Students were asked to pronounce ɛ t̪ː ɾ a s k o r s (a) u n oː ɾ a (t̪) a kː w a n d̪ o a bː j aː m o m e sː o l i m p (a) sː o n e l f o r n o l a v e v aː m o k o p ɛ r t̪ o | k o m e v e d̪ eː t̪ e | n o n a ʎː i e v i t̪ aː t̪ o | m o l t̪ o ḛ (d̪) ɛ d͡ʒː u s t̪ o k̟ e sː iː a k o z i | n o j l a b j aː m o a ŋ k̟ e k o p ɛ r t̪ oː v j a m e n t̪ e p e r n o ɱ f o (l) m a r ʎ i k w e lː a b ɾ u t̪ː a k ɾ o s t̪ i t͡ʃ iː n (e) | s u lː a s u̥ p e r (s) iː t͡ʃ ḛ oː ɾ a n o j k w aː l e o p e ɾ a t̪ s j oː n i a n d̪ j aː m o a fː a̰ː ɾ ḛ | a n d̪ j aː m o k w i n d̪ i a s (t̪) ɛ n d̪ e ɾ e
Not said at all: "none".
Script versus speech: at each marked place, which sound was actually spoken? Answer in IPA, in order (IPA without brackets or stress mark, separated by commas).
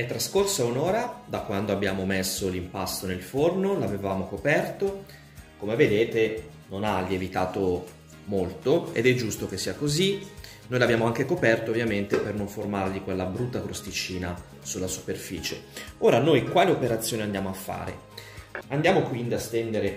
a, d̪, a, d̪, r, a, f, t̪